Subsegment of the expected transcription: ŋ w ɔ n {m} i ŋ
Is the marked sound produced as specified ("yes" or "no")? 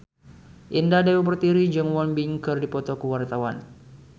no